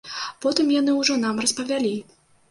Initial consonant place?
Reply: labial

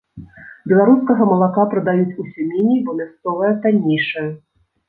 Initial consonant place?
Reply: labial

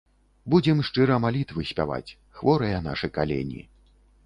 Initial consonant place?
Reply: labial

